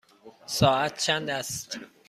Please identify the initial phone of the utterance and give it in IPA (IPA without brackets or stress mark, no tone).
s